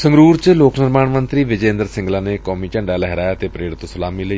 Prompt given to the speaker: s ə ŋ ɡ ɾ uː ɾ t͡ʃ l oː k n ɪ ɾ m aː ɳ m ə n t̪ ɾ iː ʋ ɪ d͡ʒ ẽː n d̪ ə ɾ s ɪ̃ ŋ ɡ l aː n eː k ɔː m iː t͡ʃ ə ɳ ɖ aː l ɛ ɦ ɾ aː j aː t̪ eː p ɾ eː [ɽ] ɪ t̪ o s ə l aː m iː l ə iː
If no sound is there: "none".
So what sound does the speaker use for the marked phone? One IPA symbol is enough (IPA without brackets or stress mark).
ɽ